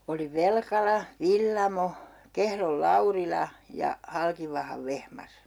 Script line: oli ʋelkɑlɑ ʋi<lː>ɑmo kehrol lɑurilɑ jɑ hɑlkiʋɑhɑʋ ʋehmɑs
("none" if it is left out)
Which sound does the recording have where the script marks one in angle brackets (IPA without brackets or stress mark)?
lː